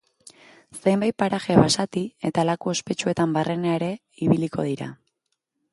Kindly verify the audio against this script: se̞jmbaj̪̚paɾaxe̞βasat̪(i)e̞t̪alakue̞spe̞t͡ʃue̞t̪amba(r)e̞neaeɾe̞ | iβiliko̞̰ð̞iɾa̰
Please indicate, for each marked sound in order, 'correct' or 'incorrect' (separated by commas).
correct, correct